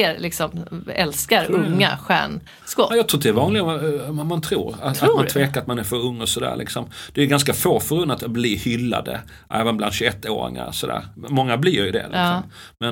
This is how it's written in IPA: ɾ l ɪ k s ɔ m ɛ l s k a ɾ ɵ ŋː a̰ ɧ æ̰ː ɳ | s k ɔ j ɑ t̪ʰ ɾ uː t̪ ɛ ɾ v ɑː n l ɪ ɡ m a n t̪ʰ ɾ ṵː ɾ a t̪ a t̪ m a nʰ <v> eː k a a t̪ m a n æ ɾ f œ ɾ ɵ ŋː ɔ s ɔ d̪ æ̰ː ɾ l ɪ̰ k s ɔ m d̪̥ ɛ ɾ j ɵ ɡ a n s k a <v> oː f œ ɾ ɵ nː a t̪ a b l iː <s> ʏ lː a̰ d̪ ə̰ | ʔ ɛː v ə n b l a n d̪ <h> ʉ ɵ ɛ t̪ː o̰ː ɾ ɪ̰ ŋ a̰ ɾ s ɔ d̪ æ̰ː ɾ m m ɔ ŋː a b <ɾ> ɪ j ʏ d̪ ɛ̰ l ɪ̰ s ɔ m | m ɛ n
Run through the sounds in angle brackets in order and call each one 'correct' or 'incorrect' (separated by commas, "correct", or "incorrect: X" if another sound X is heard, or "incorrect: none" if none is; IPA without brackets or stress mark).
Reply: correct, incorrect: f, incorrect: h, incorrect: ɕ, incorrect: l